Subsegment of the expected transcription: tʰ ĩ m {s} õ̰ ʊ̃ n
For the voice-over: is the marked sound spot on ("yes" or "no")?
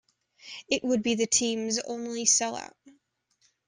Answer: no